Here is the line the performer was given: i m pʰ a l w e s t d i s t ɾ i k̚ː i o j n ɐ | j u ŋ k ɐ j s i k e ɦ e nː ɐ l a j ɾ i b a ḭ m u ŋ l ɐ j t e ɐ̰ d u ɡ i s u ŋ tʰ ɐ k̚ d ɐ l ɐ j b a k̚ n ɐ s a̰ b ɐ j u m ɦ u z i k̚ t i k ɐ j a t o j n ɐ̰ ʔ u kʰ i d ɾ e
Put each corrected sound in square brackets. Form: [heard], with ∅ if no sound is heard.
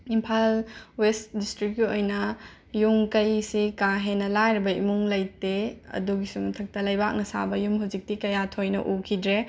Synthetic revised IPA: i m pʰ a l w e s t d i s t ɾ i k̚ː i o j n ɐ | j u ŋ k ɐ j s i k [a] ɦ e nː ɐ l a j ɾ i b [ɐ] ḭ m u ŋ l ɐ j t e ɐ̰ d u ɡ i s u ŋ tʰ ɐ k̚ [t] ɐ l ɐ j b a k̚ n ɐ s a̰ b ɐ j u m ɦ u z i k̚ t i k ɐ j a [tʰ] o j n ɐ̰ ʔ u kʰ i d ɾ e